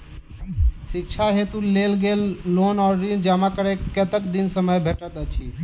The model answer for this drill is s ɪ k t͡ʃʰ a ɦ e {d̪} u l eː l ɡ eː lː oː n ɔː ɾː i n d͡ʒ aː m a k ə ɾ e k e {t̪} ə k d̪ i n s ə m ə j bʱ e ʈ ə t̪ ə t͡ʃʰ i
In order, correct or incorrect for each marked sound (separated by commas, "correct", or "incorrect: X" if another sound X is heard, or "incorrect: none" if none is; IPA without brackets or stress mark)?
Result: incorrect: t̪, correct